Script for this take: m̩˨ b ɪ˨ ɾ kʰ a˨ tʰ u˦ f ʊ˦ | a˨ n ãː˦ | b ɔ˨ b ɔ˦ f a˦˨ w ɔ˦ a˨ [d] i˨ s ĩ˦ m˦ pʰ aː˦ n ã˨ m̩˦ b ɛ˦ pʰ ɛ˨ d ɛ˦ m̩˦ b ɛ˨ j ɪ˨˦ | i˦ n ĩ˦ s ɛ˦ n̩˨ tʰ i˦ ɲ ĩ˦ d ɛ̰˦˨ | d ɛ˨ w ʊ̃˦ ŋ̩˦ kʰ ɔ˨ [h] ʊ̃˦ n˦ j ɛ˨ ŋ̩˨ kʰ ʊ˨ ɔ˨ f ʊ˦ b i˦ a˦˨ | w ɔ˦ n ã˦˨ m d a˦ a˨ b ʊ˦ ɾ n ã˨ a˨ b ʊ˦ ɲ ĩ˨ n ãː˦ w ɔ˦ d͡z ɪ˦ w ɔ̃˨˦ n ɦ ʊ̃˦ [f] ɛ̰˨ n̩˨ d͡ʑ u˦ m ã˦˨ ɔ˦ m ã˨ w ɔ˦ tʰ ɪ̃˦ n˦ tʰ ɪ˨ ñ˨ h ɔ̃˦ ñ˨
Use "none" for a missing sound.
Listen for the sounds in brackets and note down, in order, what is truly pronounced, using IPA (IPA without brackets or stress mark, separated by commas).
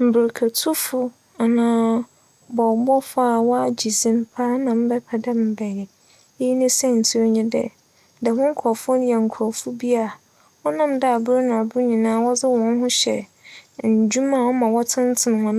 d͡ʑ, f, ɕ